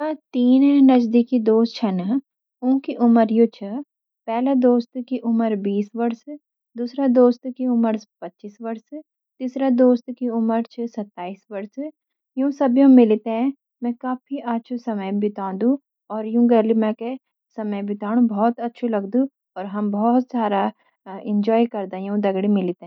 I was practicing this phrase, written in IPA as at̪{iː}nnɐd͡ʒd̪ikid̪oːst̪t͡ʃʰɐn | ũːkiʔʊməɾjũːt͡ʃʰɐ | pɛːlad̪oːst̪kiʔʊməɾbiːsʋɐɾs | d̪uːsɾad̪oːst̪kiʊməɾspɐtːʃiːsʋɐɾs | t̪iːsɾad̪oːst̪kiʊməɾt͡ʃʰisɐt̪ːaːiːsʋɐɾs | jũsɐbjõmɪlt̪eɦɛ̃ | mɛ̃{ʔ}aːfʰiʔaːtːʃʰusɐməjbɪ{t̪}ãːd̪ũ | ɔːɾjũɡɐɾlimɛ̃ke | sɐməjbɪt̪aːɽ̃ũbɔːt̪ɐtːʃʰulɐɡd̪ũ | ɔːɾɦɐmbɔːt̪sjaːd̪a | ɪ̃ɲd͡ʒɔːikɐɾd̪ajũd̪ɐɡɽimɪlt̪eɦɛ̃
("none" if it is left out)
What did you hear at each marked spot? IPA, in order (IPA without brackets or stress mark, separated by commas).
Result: iː, k, t̪